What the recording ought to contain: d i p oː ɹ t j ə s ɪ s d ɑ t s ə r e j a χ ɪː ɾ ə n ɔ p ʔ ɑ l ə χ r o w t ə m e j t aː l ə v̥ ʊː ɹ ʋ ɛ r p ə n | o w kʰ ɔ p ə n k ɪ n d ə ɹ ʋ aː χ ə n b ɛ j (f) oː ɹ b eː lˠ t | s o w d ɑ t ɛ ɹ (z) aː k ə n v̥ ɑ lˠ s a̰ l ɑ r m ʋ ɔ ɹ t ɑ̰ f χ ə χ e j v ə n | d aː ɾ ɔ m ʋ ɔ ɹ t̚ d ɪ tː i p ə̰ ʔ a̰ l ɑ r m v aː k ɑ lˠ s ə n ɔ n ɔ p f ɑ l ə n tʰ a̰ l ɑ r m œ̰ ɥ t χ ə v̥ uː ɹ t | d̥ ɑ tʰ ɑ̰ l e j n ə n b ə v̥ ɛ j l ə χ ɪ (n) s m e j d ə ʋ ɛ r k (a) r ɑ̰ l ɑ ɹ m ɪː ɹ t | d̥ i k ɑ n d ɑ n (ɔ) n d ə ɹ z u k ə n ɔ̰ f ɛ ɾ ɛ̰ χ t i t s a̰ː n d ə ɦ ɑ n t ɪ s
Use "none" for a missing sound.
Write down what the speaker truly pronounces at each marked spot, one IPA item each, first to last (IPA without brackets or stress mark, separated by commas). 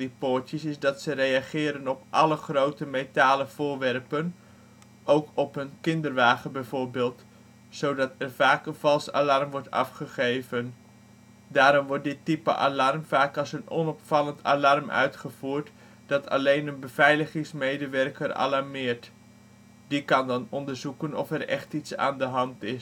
v, v, ŋ, ə, ɔ